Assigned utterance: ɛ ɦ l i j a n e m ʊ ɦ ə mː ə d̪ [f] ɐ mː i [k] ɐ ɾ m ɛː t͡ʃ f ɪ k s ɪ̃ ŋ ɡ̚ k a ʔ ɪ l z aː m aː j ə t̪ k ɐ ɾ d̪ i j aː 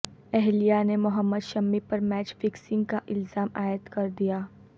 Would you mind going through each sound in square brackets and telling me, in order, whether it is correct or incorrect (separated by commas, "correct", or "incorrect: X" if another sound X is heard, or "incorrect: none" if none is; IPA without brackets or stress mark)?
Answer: incorrect: ʃ, incorrect: p